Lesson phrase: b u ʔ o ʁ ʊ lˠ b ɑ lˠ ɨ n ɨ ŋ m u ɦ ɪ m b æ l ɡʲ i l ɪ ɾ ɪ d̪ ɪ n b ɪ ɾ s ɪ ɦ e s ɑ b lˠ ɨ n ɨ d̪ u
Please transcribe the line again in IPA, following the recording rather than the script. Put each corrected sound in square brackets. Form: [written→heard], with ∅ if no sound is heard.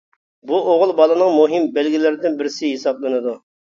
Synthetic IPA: b u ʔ o ʁ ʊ lˠ b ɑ lˠ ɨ n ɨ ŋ m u ɦ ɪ m b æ l ɡʲ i l ɪ ɾ ɪ d̪ ɪ n b ɪ ɾ s ɪ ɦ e s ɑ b lˠ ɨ n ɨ d̪ u